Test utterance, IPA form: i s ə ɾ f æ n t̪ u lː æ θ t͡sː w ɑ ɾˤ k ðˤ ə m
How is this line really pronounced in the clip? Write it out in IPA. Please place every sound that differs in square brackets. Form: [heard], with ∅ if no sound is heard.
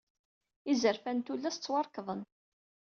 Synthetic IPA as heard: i [z] ə ɾ f æ n t̪ u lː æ [s] t͡sː w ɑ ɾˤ k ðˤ ə [n]